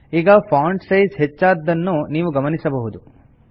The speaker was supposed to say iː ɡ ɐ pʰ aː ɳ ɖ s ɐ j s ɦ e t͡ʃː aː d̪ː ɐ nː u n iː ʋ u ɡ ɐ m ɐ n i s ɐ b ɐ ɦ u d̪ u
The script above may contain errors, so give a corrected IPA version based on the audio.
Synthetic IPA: iː ɡ ɐ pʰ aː ɳ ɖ s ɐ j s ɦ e t͡ʃː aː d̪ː ɐ nː u n iː ʋ u ɡ ɐ m ɐ n i s ɐ b ɐ ɦ u d̪ u